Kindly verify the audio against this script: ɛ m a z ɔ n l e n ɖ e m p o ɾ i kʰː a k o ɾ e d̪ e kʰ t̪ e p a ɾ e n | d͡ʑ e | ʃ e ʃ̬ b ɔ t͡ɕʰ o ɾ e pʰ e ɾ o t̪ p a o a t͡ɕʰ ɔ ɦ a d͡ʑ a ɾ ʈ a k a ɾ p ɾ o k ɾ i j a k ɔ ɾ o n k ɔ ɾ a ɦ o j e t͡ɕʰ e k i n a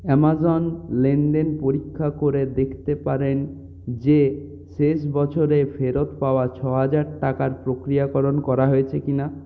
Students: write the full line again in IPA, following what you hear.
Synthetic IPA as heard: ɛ m a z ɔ n l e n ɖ e n p o ɾ i kʰː a k o ɾ e d̪ e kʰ t̪ e p a ɾ e n | d͡ʑ e | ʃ e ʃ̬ b ɔ t͡ɕʰ o ɾ e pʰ e ɾ o t̪ p a o a t͡ɕʰ ɔ ɦ a d͡ʑ a ɾ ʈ a k a ɾ p ɾ o k ɾ i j a k ɔ ɾ o n k ɔ ɾ a ɦ o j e t͡ɕʰ e k i n a

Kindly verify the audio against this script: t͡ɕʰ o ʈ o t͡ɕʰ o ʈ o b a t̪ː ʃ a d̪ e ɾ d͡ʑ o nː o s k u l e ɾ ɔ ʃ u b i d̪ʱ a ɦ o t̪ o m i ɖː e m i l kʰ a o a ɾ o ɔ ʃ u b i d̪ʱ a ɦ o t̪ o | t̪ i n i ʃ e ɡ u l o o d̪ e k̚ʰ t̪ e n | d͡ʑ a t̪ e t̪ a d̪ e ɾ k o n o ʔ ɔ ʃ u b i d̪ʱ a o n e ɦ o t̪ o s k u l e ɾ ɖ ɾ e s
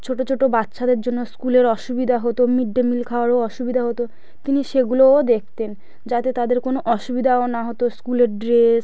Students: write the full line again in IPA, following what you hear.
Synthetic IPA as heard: t͡ɕʰ o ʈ o t͡ɕʰ o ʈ o b a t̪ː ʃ a d̪ e ɾ d͡ʑ o nː o s k u l e ɾ ɔ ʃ u b i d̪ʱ a ɦ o t̪ o m i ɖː e m i l kʰ a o a ɾ o ɔ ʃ u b i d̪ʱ a ɦ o t̪ o | t̪ i n i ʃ e ɡ u l o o d̪ e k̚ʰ t̪ e n | d͡ʑ a t̪ e t̪ a d̪ e ɾ k o n o ʔ ɔ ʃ u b i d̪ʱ a o n a ɦ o t̪ o s k u l e ɾ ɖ ɾ e s

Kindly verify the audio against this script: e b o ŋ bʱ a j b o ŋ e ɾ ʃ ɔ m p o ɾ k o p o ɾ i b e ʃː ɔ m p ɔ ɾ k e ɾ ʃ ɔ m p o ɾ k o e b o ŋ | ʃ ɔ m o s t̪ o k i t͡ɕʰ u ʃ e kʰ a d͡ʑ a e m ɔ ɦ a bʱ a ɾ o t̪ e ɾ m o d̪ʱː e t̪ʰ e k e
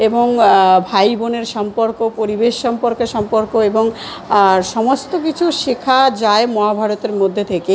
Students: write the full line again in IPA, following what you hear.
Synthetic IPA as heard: e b o ŋ bʱ a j b o n e ɾ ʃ ɔ m p o ɾ k o p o ɾ i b e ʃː ɔ m p o ɾ k e ɾ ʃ ɔ m p o ɾ k o e b o ŋ | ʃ ɔ m o s t̪ o k i t͡ɕʰ u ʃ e kʰ a d͡ʑ a e m ɔ ɦ a bʱ a ɾ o t̪ e ɾ m o d̪ʱː e t̪ʰ e k e

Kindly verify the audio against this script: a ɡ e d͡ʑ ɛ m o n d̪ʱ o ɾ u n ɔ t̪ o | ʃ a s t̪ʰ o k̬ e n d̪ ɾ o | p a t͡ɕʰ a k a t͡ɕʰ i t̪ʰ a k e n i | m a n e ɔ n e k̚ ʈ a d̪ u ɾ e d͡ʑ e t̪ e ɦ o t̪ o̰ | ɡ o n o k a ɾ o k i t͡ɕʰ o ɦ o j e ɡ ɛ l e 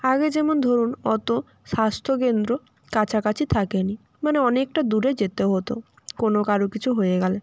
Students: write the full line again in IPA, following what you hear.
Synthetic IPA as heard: a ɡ e d͡ʑ ɛ m o n d̪ʱ o ɾ u n ɔ t̪ o | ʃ a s t̪ʰ o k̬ e n d̪ ɾ o | k a t͡ɕʰ a k a t͡ɕʰ i t̪ʰ a k e n i | m a n e ɔ n e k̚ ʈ a d̪ u ɾ e d͡ʑ e t̪ e ɦ o t̪ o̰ | k o n o k a ɾ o k i t͡ɕʰ u ɦ o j e ɡ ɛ l e

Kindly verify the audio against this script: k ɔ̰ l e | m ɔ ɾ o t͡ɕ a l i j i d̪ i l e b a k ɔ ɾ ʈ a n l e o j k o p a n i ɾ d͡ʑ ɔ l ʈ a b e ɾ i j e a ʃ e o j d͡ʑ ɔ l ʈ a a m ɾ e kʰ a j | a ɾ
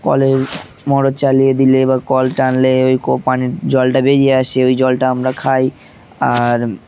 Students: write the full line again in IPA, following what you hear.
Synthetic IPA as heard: k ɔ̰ l e | m ɔ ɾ o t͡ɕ a l i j e d̪ i l e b a k ɔ l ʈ a n l e o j k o p a n i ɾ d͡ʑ ɔ l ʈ a b e ɾ i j e a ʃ e o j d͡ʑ ɔ l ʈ a a m ɾ a kʰ a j | a ɾ

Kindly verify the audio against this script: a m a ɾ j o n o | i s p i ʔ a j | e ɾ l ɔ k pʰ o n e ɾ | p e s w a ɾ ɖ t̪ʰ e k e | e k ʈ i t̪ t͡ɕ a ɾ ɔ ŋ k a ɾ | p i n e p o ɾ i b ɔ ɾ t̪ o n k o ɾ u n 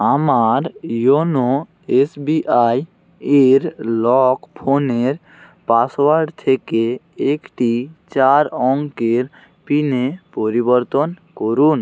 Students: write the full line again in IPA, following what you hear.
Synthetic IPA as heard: a m a ɾ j o n o | e s b i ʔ a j | e ɾ l ɔ k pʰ o n e ɾ | p a s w a ɾ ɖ t̪ʰ e k e | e k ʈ i t͡ɕ a ɾ ɔ ŋ k e ɾ | p i n e p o ɾ i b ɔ ɾ t̪ o n k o ɾ u n

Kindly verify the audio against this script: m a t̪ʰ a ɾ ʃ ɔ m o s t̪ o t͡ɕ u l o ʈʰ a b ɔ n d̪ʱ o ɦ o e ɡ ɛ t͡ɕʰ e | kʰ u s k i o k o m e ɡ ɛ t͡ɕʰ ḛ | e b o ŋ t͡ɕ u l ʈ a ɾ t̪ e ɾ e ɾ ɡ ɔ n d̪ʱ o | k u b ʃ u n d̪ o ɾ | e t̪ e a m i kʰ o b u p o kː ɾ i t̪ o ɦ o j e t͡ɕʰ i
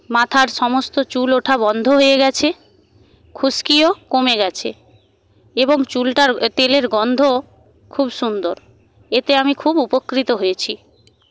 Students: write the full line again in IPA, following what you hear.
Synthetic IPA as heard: m a t̪ʰ a ɾ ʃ ɔ m o s t̪ o t͡ɕ u l o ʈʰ a b ɔ n d̪ʱ o ɦ o e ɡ ɛ t͡ɕʰ e | kʰ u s k i o k o m e ɡ ɛ t͡ɕʰ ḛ | e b o ŋ t͡ɕ u l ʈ a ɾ t̪ e l e ɾ ɡ ɔ n d̪ʱ o | kʰ u b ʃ u n d̪ o ɾ | e t̪ e a m i kʰ u b u p o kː ɾ i t̪ o ɦ o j e t͡ɕʰ i

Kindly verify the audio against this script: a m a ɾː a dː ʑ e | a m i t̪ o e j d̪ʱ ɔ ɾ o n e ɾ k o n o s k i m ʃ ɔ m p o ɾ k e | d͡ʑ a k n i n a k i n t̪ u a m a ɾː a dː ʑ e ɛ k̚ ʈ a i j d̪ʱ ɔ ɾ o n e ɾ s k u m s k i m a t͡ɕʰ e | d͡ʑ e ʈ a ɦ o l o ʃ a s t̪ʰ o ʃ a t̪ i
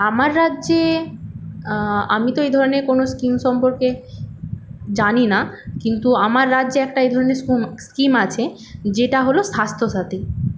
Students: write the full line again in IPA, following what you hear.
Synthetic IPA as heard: a m a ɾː a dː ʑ e | a m i t̪ o e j d̪ʱ ɔ ɾ o n e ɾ k o n o s k i m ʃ ɔ m p o ɾ k e | d͡ʑ a n i n a k i n t̪ u a m a ɾː a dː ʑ e ɛ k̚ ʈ a e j d̪ʱ ɔ ɾ o n e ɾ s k u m s k i m a t͡ɕʰ e | d͡ʑ e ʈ a ɦ o l o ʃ a s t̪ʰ o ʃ a t̪ i

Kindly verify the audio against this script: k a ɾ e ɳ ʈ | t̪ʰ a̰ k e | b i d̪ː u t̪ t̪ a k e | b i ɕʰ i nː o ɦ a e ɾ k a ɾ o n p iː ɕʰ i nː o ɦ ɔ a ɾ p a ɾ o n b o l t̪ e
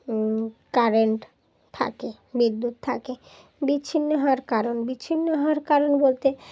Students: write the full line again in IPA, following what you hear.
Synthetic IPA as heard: k a ɾ e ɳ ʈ | t̪ʰ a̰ k e | b i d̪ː u t̪ t̪ʰ a k e | b i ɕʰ i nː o ɦ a a ɾ k a ɾ o n b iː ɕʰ i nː o ɦ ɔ a ɾ k a ɾ o n b o l t̪ e

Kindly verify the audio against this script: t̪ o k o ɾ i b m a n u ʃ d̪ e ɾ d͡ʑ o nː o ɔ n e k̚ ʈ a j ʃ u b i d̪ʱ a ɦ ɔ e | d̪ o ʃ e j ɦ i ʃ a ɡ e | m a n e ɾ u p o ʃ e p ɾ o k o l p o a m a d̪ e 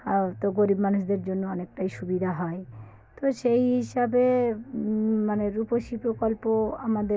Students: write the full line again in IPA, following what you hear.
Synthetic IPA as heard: t̪ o ɡ o ɾ i b m a n u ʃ d̪ e ɾ d͡ʑ o nː o ɔ n e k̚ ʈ a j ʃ u b i d̪ʱ a ɦ ɔ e | t̪ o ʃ e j ɦ i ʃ a b e | m a n e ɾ u p o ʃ i p ɾ o k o l p o a m a d̪ e

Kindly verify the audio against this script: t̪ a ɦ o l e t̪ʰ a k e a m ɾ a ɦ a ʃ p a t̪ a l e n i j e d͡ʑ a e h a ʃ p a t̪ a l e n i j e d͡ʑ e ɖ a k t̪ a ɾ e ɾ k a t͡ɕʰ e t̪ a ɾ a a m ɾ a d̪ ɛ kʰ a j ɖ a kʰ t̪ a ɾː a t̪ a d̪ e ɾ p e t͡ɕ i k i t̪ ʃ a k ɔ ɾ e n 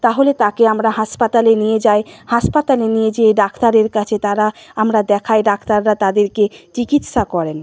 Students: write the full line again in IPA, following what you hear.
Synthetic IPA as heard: t̪ a ɦ o l e t̪ a k e a m ɾ a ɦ a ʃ p a t̪ a l e n i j e d͡ʑ a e h a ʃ p a t̪ a l e n i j e d͡ʑ e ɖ a k t̪ a ɾ e ɾ k a t͡ɕʰ e t̪ a ɾ a a m ɾ a d̪ ɛ kʰ a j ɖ a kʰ t̪ a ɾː a t̪ a d̪ e ɾ k e t͡ɕ i k i t̪ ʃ a k ɔ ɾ e n

